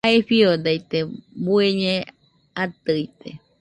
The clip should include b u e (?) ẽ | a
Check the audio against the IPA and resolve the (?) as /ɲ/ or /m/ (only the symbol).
ɲ